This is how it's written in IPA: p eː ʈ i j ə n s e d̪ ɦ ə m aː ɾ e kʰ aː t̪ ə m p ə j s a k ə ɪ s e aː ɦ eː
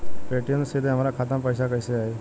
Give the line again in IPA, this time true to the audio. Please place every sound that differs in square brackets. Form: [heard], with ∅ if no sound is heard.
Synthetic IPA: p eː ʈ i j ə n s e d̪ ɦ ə m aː ɾ [a] kʰ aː t̪ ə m p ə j s a k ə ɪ s e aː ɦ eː

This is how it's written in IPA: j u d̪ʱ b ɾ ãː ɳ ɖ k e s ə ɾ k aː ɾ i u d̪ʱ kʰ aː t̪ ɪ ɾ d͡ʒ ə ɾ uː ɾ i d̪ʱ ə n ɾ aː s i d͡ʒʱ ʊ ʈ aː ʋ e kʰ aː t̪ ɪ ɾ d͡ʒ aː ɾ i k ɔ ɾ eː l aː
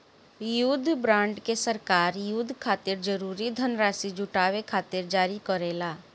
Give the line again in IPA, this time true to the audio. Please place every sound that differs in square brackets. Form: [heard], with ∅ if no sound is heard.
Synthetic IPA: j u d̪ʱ b ɾ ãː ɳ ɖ k e s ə ɾ k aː ɾ [j] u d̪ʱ kʰ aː t̪ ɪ ɾ d͡ʒ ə ɾ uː ɾ i d̪ʱ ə n ɾ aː s i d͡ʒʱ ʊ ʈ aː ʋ e kʰ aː t̪ ɪ ɾ d͡ʒ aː ɾ i k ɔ ɾ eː l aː

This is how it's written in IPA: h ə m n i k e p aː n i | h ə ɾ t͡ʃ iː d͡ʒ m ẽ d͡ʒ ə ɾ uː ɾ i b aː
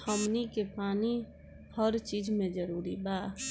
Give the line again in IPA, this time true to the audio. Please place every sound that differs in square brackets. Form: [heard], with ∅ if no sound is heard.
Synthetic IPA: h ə m n i k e p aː n i | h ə ɾ t͡ʃ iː d͡ʒ m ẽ d͡ʒ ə ɾ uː ɾ i b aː

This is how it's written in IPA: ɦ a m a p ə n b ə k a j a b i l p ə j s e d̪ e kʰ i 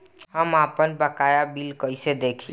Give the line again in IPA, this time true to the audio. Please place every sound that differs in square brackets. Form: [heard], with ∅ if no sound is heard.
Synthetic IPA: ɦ [ə] m a p ə n b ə k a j a b i l [k] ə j s e d̪ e kʰ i

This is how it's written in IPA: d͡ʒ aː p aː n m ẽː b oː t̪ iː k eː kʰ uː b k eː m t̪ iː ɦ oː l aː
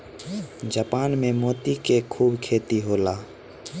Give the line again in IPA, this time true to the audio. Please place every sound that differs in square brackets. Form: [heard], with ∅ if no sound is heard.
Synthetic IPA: d͡ʒ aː p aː n m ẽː [m] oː t̪ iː k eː kʰ uː b [kʰ] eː [∅] t̪ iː ɦ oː l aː

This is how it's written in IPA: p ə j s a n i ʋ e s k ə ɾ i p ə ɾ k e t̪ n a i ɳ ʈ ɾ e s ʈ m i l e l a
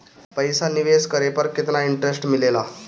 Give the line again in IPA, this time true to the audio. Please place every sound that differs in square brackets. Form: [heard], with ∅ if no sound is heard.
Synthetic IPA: p ə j s a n i ʋ e s k ə ɾ [e] p ə ɾ k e t̪ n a i ɳ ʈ ɾ e s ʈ m i l e l a

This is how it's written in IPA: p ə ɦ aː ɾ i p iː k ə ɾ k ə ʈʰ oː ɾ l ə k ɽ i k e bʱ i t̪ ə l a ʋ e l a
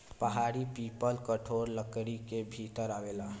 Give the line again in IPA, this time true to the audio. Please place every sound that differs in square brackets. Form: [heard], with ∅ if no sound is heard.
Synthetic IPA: p ə ɦ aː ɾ i p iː [p] ə [l] k ə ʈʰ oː ɾ l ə k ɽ i k e bʱ i t̪ ə [ɾ] a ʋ e l a

